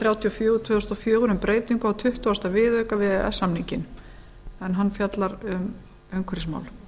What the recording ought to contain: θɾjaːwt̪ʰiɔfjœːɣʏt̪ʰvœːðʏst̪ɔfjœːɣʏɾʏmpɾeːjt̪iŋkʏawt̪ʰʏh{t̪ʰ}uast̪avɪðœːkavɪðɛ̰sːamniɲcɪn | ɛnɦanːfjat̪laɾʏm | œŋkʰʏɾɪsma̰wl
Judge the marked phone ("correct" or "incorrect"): incorrect